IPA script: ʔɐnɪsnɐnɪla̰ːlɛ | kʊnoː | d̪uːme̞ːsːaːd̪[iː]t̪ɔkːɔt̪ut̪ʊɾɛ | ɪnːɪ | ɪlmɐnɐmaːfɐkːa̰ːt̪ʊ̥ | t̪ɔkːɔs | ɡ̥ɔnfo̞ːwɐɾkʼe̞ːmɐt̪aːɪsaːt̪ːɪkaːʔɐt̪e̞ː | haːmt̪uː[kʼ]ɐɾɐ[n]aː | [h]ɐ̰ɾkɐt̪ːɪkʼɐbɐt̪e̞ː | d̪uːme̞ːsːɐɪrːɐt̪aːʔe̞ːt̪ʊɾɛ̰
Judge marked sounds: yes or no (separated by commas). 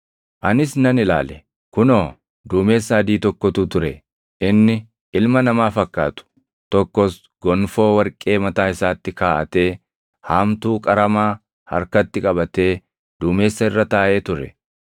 yes, yes, no, yes